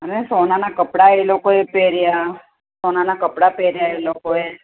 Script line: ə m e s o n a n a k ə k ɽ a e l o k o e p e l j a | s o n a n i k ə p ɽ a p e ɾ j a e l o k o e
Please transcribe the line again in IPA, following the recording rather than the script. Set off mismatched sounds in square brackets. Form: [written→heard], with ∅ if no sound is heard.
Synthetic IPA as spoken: ə [m→n] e s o n a n a k ə [k→p] ɽ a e l o k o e p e [l→ɾ] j a | s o n a n [i→a] k ə p ɽ a p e ɾ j a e l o k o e